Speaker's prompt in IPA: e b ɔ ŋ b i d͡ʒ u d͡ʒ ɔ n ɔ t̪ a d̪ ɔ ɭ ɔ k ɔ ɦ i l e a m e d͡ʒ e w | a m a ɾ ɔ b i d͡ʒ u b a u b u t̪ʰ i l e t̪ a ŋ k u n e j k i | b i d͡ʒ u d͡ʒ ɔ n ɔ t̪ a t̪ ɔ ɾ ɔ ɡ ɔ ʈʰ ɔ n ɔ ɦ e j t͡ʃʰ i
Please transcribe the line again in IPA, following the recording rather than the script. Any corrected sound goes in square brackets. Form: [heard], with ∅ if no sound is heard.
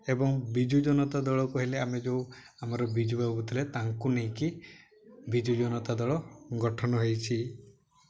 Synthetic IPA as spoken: e b ɔ ŋ b i d͡ʒ u d͡ʒ ɔ n ɔ t̪ a d̪ ɔ ɭ ɔ k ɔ ɦ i l e a m e d͡ʒ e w | a m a ɾ ɔ b i d͡ʒ u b a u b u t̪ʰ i l e t̪ a ŋ k u n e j k i | b i d͡ʒ u d͡ʒ ɔ n ɔ t̪ a [d̪] ɔ [ɭ] ɔ ɡ ɔ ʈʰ ɔ n ɔ ɦ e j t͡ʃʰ i